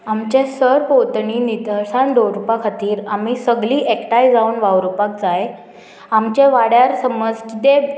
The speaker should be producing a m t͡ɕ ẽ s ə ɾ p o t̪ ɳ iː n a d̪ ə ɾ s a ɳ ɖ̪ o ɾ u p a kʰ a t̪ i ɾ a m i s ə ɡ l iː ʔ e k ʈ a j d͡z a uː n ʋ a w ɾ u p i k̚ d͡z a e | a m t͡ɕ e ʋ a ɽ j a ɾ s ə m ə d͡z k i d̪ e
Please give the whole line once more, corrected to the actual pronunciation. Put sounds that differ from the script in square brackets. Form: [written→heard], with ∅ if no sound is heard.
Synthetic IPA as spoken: a m t͡ɕ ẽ s ə ɾ p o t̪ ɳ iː n [a→i] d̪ ə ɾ s a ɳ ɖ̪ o ɾ u p a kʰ a t̪ [i→iː] ɾ a m i s ə ɡ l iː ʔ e k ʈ a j d͡z a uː n ʋ a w ɾ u p [i→a] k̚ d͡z a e | a m t͡ɕ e ʋ a ɽ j a ɾ s ə m ə d͡z k i [d̪→t̪] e